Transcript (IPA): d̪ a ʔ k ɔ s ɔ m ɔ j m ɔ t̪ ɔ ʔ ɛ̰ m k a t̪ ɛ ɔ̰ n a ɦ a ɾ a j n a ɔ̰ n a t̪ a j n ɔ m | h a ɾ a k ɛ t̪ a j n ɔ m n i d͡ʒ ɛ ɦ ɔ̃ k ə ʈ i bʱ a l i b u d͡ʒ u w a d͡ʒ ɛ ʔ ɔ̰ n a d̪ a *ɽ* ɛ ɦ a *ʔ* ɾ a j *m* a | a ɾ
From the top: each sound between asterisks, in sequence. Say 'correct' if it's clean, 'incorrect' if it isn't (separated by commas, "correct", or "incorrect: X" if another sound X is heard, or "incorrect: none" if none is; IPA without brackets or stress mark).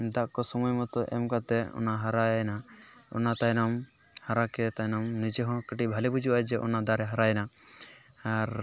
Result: incorrect: ɾ, incorrect: none, incorrect: n